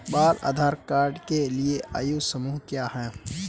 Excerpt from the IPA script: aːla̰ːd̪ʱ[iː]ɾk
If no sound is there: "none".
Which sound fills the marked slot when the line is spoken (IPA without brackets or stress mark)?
aː